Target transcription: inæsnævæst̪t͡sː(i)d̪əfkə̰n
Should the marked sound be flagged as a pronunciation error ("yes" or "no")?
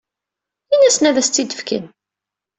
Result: no